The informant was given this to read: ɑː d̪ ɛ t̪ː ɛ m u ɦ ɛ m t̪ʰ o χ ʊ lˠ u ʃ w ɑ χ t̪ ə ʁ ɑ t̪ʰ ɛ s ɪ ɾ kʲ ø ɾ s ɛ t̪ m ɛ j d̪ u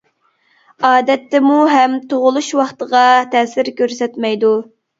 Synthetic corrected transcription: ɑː d̪ ɛ t̪ː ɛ m u ɦ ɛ m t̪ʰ o ʁ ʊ lˠ u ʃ w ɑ χ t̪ ə ʁ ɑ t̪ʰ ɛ s ɪ ɾ kʲ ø ɾ s ɛ t̪ m ɛ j d̪ u

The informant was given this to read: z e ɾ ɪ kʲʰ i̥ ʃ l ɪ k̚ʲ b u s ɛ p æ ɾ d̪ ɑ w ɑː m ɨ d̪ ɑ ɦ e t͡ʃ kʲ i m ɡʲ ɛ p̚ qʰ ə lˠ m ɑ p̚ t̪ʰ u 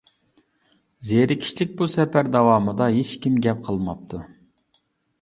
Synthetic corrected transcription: z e ɾ ɪ kʲʰ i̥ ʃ l ɪ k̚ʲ b u s ɛ p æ ɾ d̪ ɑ w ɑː m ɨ d̪ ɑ ɦ e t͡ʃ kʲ i m ɡʲ ɛ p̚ qʰ ə lˠ m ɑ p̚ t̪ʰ u

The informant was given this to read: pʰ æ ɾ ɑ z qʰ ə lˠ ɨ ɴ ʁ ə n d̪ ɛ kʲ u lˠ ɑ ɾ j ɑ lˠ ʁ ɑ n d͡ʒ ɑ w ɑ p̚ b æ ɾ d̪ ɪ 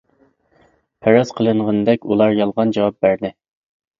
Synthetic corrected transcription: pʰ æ ɾ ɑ z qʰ ə lˠ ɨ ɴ ʁ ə n d̪ ɛ kʲ u lˠ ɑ ɾ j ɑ lˠ ʁ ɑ n d͡ʒ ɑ w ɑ p̚ b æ ɾ d̪ ɪ

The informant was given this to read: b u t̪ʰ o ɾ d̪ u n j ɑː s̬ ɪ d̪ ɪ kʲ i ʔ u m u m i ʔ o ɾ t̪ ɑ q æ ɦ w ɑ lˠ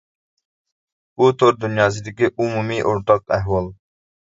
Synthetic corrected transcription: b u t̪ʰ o ɾ d̪ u n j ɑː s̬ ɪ d̪ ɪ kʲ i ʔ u m u m i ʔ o ɾ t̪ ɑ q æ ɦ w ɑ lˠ

